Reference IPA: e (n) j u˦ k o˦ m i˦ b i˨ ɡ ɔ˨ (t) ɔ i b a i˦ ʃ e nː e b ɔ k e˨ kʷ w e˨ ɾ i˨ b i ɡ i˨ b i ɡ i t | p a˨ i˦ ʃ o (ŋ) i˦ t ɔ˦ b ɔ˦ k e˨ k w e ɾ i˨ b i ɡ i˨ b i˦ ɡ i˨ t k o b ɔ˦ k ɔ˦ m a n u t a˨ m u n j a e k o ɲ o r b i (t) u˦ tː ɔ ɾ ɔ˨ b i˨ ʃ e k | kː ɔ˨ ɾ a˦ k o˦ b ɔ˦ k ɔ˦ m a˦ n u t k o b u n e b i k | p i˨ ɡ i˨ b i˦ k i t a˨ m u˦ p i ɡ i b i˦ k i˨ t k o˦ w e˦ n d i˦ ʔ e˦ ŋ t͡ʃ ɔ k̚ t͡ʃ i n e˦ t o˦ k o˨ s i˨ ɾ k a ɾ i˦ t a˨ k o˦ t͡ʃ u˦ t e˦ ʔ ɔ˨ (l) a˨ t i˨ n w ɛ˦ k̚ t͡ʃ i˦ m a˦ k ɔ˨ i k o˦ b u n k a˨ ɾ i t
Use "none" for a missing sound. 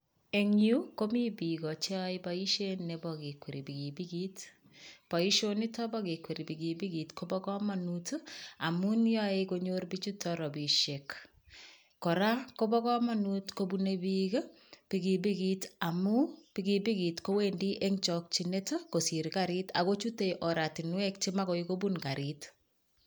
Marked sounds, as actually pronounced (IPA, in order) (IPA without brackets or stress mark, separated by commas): ŋ, t͡ʃ, n, t͡ʃ, ɾ